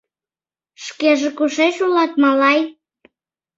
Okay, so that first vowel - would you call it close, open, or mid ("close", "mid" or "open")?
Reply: mid